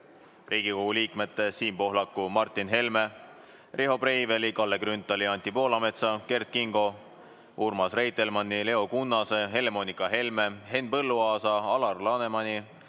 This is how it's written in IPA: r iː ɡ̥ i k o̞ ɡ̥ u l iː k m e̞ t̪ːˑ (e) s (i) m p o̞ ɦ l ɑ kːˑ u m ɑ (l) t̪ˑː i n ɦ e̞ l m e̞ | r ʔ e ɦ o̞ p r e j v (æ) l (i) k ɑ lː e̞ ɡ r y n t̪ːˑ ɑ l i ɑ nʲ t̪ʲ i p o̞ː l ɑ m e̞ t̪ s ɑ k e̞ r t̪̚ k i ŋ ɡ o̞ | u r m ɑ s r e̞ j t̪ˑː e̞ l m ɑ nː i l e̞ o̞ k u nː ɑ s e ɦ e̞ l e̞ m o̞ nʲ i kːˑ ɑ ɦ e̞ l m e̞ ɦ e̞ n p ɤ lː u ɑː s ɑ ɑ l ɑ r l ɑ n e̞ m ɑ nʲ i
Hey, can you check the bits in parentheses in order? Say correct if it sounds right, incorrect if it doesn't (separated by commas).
correct, incorrect, incorrect, incorrect, correct